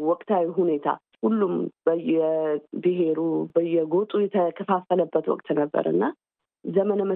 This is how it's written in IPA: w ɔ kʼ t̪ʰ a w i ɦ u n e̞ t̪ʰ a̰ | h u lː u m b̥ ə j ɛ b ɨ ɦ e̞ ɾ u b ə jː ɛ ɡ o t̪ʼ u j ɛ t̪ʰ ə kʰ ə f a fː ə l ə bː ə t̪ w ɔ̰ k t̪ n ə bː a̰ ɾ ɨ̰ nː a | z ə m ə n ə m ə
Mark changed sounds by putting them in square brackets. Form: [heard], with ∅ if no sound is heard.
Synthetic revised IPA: w ɔ kʼ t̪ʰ a w i ɦ u n e̞ t̪ʰ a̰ | h u lː u m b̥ ə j ɛ b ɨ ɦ e̞ ɾ u b ə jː ɛ ɡ o t̪ʼ u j ɛ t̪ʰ ə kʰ ə f a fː ə l ə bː ə t̪ w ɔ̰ [kʼ] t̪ n ə bː [ə̰] ɾ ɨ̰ nː a | z ə m ə n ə m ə